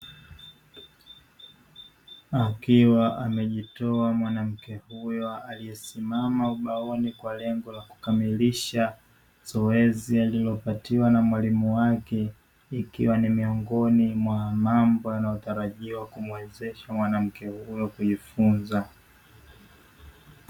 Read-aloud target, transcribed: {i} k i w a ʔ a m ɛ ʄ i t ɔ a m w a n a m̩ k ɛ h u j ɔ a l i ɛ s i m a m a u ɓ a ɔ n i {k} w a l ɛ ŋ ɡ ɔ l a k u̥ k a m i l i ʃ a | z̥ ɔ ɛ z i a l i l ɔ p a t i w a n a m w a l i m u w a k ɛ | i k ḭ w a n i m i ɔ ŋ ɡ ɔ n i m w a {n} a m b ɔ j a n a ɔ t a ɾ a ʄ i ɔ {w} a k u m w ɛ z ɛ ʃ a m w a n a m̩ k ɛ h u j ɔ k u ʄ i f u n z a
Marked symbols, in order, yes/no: no, yes, no, yes

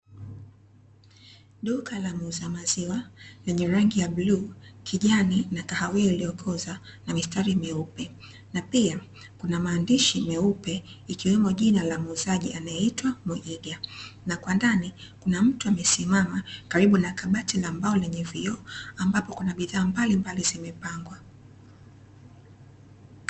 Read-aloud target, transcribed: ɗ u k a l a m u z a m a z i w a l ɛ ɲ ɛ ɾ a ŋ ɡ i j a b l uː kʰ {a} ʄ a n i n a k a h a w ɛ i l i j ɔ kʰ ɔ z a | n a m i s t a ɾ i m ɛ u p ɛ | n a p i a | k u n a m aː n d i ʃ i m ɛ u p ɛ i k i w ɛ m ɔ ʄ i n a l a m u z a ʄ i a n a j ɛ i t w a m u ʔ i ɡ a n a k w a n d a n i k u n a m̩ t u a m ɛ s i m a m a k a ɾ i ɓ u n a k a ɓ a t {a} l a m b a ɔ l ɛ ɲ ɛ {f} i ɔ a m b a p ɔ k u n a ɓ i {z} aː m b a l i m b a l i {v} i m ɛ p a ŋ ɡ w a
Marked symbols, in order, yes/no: no, no, no, no, no

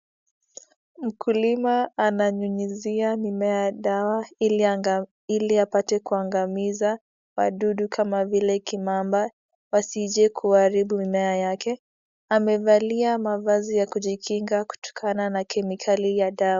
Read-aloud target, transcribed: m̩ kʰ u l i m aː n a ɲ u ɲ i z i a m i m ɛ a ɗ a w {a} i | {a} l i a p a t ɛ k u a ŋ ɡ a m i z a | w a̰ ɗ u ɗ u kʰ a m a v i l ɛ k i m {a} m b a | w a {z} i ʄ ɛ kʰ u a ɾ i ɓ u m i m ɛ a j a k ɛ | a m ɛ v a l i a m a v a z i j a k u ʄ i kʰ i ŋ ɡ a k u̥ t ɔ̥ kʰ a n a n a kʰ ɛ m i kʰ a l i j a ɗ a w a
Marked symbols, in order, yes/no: yes, no, yes, no

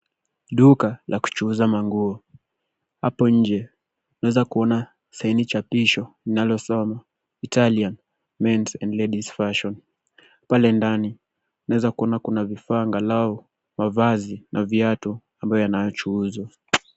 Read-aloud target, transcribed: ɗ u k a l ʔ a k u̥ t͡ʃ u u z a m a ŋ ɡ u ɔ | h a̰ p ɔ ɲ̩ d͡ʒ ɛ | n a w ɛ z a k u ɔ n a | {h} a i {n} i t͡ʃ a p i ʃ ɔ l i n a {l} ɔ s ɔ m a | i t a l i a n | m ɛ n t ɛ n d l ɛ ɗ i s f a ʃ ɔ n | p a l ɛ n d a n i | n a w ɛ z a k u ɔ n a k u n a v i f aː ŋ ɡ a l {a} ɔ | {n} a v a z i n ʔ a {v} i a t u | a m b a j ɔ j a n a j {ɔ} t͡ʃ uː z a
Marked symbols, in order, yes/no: no, yes, yes, yes, no, yes, yes

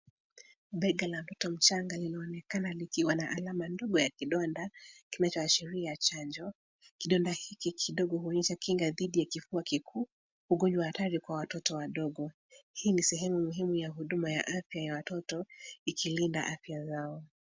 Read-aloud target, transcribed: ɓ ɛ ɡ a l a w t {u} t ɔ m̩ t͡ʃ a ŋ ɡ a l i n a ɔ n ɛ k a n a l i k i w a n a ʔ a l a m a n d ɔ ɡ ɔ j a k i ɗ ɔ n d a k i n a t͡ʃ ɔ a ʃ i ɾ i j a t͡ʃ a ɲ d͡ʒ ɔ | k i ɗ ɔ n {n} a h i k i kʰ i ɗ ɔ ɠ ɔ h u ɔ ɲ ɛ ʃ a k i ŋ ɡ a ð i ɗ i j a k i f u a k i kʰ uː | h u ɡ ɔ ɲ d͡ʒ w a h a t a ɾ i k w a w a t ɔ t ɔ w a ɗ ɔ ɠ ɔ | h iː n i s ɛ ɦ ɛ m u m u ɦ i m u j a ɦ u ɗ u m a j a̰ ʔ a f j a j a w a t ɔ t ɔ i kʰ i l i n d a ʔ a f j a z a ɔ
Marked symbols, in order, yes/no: no, no

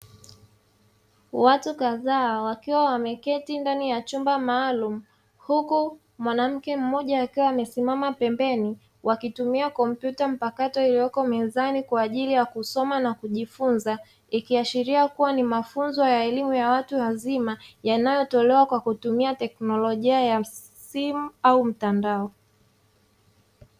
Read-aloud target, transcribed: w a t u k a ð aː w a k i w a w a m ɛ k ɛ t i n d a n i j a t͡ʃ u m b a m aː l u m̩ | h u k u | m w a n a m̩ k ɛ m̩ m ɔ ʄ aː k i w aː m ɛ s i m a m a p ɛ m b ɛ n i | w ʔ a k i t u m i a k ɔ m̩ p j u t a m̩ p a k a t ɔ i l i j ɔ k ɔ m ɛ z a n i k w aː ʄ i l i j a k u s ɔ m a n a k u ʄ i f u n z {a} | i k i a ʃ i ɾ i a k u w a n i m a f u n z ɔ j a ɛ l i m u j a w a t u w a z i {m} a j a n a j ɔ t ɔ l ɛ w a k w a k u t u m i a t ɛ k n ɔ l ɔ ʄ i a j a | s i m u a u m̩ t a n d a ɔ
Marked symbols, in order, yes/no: yes, yes

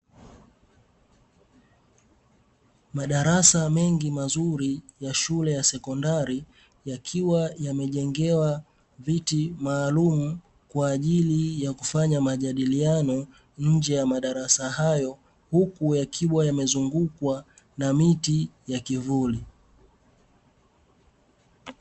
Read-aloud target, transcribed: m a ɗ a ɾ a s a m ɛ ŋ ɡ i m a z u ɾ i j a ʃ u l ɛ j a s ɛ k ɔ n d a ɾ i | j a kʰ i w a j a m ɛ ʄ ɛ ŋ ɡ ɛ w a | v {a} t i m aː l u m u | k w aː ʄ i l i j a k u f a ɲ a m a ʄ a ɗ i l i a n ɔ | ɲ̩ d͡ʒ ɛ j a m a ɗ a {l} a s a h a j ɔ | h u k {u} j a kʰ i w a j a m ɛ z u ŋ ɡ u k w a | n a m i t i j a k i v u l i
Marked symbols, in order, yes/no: no, no, yes

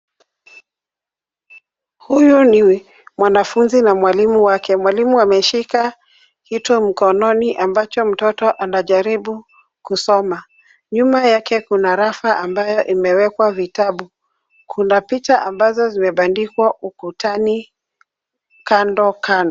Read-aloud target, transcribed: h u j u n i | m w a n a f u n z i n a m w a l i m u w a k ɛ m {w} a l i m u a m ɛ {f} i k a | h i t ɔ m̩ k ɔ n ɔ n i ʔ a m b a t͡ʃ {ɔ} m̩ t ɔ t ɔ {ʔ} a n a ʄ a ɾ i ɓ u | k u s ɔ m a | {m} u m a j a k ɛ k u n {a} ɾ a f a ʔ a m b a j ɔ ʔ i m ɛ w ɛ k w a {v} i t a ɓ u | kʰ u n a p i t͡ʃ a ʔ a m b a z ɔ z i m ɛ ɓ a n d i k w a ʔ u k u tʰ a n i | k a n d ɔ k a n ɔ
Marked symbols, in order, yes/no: yes, no, yes, yes, no, yes, yes

